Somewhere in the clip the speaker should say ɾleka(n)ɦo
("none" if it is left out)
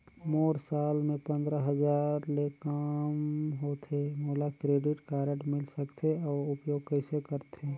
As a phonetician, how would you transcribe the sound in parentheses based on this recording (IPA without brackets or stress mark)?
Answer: m